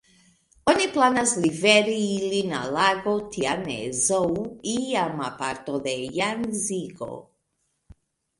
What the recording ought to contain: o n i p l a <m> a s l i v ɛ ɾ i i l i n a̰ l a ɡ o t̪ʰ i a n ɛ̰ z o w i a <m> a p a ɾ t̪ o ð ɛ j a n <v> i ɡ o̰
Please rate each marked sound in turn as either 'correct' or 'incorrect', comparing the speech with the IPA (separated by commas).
incorrect, correct, incorrect